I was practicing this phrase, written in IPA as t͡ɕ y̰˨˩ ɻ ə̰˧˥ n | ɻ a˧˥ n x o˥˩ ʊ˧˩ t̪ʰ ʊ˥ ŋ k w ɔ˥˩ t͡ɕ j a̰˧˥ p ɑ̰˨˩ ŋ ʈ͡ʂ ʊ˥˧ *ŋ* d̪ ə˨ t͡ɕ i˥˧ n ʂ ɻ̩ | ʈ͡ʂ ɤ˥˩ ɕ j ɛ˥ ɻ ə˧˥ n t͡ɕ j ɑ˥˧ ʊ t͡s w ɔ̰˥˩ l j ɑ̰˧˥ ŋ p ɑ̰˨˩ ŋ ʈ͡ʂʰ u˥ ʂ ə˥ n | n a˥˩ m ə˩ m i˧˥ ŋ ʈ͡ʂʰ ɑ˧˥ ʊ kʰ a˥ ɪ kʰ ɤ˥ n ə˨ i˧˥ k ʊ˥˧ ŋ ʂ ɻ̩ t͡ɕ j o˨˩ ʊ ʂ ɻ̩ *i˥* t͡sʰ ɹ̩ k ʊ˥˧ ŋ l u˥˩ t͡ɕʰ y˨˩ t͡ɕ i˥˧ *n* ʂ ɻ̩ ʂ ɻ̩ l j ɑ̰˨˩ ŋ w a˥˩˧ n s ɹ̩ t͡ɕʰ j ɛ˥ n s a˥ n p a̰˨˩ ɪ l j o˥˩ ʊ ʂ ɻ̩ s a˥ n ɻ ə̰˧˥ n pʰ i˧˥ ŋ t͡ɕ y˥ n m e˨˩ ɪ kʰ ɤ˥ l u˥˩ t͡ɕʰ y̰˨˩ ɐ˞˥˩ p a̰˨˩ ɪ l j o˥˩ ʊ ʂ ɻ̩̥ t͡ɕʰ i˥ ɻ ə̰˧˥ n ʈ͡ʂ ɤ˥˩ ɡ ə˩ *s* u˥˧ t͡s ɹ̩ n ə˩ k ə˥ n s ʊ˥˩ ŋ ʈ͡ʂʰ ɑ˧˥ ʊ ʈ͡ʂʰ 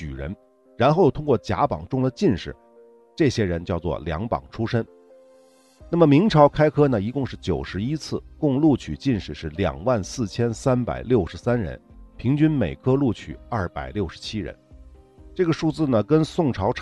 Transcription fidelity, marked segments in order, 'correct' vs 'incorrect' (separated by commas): correct, correct, correct, incorrect